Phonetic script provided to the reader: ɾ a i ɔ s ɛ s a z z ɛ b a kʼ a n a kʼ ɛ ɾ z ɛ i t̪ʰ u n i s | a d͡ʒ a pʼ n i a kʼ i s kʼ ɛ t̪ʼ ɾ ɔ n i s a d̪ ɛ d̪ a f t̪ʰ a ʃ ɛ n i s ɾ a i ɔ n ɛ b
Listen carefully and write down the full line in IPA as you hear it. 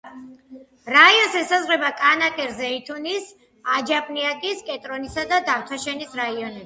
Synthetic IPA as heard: ɾ a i ɔ s ɛ s a z ʁ ɛ b a kʼ a n a kʼ ɛ ɾ z ɛ i t̪ʰ u n i s | a d͡ʒ a pʼ n i a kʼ i s kʼ ɛ t̪ʼ ɾ ɔ n i s a d̪ a d̪ a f t̪ʰ a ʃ ɛ n i s ɾ a i ɔ n ɛ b